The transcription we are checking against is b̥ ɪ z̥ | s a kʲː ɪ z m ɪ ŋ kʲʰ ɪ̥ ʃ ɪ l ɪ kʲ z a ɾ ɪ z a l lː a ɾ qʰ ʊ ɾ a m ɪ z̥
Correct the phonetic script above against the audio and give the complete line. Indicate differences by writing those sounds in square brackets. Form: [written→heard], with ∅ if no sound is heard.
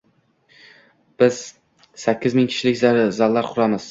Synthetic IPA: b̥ ɪ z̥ | s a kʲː ɪ z m ɪ ŋ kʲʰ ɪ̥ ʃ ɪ l ɪ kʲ z a ɾ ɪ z a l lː a ɾ qʰ ʊ ɾ a m ɪ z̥